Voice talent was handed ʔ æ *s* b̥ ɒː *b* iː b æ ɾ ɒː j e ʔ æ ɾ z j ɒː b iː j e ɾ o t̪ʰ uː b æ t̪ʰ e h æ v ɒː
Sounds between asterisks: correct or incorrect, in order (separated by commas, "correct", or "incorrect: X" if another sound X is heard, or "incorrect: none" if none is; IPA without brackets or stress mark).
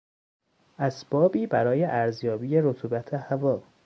correct, correct